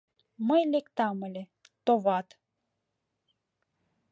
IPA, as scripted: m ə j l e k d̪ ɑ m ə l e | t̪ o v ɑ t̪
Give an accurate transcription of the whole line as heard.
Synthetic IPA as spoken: m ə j l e k t̪ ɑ m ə l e | t̪ o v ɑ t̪